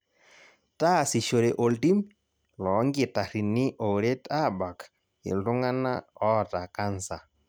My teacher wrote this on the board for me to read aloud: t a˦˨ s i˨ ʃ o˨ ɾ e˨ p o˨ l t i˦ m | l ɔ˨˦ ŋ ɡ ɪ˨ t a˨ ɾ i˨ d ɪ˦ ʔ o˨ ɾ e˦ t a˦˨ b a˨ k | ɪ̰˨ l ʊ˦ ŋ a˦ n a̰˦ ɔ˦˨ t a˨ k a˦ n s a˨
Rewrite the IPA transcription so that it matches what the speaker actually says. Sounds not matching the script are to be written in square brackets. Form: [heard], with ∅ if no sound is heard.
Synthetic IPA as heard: t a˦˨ s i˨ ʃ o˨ ɾ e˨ [ʔ] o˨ l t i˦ m | l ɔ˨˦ ŋ ɡ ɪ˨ t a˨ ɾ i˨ [n] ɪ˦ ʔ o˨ ɾ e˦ t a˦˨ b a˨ k | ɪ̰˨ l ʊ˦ ŋ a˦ n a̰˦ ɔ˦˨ t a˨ k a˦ n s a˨